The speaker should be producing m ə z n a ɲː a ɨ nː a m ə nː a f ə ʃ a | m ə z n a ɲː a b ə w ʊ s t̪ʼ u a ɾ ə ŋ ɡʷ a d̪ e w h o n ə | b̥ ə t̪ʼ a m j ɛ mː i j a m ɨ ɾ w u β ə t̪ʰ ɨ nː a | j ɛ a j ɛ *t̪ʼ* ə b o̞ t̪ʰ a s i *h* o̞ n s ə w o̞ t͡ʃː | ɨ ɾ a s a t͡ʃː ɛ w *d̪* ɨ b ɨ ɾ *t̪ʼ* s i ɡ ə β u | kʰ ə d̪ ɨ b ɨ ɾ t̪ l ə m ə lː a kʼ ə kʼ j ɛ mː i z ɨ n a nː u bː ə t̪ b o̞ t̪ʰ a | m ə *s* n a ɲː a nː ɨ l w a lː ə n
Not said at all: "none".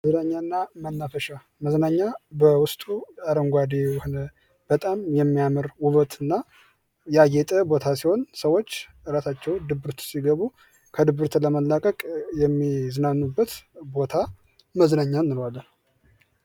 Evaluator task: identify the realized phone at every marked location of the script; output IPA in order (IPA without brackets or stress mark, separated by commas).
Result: t̪ʼ, h, d̪, t̪, z